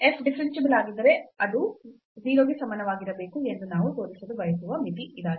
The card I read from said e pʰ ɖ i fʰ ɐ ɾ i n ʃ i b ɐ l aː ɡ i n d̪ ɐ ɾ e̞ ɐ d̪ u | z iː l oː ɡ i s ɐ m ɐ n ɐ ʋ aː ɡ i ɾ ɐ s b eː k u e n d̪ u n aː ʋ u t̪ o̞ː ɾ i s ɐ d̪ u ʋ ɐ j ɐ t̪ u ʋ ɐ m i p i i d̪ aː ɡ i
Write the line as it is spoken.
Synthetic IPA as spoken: e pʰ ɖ i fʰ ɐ ɾ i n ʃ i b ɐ l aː ɡ i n d̪ ɐ ɾ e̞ ɐ d̪ u | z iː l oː ɡ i s ɐ m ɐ n ɐ ʋ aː ɡ i ɾ ɐ b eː k u e n d̪ u n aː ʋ u t̪ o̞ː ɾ i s ɐ d̪ u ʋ ɐ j ɐ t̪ u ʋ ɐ m i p i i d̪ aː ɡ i